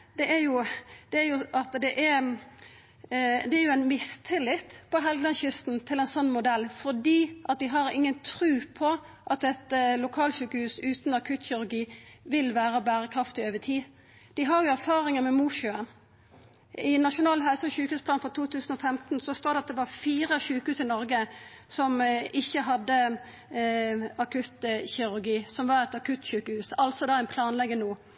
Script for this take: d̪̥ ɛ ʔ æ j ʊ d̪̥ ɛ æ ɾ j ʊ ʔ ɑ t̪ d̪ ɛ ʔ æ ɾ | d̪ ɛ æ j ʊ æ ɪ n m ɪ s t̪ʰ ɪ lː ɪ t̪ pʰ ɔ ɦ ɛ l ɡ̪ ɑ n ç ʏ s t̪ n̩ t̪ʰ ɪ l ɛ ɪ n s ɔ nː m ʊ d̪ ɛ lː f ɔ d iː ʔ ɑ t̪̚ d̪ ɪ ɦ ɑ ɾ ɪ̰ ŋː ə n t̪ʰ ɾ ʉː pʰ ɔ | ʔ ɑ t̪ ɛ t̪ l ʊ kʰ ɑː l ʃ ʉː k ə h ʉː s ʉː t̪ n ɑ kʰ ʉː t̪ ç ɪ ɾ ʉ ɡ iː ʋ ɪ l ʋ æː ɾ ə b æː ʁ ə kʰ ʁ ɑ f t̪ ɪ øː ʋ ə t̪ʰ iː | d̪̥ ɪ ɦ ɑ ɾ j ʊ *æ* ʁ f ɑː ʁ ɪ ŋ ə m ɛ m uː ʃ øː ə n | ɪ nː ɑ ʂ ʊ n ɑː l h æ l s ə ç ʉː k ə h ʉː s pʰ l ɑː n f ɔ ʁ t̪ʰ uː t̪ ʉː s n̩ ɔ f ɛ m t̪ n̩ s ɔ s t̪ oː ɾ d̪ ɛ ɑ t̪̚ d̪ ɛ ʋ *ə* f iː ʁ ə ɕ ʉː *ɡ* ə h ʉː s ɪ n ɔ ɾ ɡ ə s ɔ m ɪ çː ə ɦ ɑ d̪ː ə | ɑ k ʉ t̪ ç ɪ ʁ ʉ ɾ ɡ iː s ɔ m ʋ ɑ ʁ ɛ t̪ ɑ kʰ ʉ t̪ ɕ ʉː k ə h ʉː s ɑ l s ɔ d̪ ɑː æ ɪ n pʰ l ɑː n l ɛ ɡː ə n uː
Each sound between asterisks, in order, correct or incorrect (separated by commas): correct, incorrect, incorrect